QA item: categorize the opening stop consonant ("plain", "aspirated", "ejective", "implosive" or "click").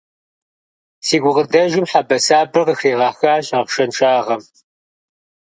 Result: plain